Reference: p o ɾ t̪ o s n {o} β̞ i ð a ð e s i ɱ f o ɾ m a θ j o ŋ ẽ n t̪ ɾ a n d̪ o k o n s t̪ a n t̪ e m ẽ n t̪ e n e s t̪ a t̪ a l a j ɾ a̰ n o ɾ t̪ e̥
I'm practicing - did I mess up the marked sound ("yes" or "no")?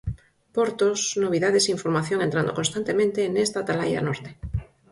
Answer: no